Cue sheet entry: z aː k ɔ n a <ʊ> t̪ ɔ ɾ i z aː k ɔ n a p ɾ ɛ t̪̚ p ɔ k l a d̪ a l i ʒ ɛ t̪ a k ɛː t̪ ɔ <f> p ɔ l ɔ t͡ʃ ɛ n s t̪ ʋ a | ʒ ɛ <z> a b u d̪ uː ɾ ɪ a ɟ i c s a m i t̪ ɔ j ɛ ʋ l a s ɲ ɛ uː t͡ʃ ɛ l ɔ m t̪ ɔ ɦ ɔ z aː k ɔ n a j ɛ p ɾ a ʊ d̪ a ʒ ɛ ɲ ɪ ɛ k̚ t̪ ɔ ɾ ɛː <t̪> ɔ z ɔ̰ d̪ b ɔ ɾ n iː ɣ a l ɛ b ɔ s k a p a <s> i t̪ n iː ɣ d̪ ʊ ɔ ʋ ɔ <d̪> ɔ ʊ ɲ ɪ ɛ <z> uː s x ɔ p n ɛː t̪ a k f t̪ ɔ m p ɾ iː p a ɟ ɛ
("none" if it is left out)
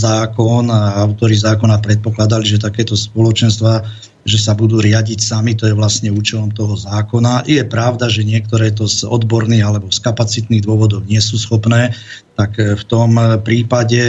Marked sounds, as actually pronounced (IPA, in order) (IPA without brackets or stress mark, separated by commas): ʊ, s, s, t̪, t͡s, d̪, s